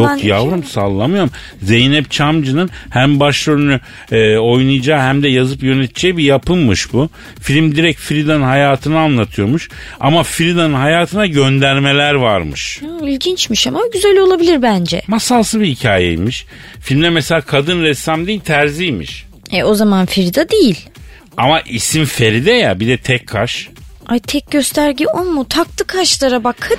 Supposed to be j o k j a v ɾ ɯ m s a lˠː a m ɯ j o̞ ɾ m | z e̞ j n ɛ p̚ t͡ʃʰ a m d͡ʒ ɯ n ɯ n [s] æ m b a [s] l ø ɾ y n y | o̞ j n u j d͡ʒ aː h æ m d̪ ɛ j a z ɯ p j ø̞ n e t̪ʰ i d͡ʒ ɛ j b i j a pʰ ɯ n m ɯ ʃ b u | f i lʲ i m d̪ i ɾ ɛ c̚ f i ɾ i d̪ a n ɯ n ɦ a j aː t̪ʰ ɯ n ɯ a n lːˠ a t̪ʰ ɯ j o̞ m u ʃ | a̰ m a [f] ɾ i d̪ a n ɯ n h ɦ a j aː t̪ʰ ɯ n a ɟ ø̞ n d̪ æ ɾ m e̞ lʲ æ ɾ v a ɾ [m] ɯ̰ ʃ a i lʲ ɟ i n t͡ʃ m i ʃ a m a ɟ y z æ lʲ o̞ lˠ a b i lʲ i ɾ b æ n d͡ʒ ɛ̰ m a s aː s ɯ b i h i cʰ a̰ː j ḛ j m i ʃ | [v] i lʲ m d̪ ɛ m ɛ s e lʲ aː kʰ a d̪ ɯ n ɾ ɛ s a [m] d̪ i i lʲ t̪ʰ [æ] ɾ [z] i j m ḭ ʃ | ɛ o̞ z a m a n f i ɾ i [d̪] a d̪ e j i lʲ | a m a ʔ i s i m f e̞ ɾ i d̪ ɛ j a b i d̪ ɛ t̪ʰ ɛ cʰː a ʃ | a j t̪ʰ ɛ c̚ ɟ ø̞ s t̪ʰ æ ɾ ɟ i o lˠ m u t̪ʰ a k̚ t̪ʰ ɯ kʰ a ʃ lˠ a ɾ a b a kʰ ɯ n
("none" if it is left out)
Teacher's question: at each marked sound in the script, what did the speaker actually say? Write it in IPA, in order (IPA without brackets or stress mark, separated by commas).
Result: h, ʃ, f, m, f, m, æ, z, d̪